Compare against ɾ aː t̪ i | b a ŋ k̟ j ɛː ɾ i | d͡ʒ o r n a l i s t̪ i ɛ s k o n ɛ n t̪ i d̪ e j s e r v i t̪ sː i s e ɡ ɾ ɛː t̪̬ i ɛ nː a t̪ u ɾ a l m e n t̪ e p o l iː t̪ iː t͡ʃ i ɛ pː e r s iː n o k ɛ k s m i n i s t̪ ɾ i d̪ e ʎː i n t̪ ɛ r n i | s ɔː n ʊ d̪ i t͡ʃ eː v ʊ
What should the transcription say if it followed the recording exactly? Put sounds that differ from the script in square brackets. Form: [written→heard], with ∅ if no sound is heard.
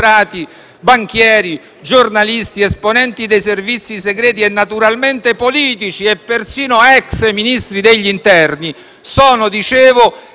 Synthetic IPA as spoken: ɾ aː t̪ i | b a ŋ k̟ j ɛː ɾ i | d͡ʒ o r n a l i s t̪ i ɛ s [k→p] o n ɛ n t̪ i d̪ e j s e r v i t̪ sː i s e ɡ ɾ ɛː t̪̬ i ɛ nː a t̪ u ɾ a l m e n t̪ e p o l iː t̪ [iː→i] t͡ʃ i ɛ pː e r s iː n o [k→∅] ɛ k s m i n i s t̪ ɾ i d̪ e ʎː i n t̪ ɛ r n i | s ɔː n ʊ d̪ i t͡ʃ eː v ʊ